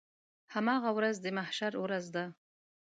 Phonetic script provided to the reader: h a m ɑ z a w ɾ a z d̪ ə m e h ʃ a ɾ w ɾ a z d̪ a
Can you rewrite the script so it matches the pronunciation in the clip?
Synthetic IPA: h a m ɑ ɣ a w ɾ a z d̪ ə m a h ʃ a ɾ w ɾ a z d̪ a